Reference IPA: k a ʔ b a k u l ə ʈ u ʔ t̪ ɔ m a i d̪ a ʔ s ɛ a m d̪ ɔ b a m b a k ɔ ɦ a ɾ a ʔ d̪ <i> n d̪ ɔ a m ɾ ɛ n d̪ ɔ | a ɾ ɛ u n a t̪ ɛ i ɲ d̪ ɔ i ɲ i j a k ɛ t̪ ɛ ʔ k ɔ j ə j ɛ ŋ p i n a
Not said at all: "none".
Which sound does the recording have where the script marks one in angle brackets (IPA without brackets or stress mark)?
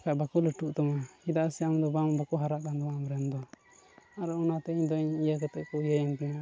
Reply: a